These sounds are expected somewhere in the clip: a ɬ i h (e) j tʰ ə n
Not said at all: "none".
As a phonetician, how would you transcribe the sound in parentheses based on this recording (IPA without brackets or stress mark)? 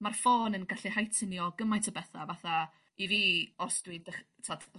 a